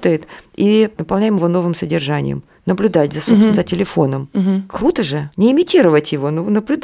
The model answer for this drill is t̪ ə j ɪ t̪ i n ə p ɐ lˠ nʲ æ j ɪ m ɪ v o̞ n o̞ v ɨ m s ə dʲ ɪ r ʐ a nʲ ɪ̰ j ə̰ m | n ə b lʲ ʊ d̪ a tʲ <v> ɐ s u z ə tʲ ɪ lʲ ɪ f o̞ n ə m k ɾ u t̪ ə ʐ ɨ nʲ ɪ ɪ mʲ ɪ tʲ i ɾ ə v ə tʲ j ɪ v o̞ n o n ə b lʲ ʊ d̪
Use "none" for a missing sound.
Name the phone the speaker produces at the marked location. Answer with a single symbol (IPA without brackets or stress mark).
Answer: z